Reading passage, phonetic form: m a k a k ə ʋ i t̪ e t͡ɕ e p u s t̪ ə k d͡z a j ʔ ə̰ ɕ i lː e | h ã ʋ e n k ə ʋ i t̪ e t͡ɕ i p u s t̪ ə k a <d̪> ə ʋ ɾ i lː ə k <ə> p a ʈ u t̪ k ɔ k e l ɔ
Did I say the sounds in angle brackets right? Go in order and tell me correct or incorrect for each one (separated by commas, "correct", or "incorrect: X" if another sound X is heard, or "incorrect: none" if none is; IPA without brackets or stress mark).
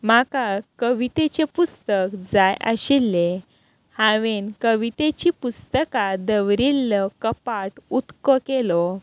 correct, correct